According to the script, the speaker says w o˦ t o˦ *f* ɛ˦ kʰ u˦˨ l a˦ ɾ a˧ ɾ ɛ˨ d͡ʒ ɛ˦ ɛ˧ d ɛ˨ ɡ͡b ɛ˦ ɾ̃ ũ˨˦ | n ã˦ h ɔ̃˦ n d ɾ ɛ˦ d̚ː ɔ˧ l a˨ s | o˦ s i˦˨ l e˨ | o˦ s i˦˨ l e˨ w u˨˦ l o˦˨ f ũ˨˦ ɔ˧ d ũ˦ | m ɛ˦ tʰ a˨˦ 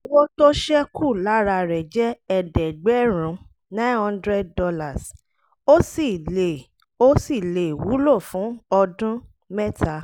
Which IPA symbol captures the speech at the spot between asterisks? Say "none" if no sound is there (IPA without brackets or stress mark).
ʃ